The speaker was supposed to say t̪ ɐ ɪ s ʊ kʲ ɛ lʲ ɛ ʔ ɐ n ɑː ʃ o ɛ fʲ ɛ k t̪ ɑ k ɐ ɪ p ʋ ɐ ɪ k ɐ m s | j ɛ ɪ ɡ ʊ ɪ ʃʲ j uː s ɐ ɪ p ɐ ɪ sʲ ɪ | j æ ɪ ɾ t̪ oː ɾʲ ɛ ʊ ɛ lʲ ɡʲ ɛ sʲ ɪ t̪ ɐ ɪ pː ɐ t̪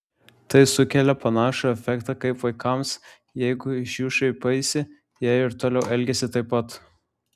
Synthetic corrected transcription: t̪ ɐ ɪ s ʊ kʲ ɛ lʲ ɛ p ɐ n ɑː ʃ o ɛ fʲ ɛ k t̪ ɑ k ɐ ɪ p ʋ ɐ ɪ k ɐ m s | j ɛ ɪ ɡ ʊ ɪ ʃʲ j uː ʃ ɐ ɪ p ɐ ɪ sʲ ɪ | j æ ɪ ɾ t̪ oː lʲ ɛ ʊ ɛ lʲ ɡʲ ɛ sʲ ɪ t̪ ɐ ɪ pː ɐ t̪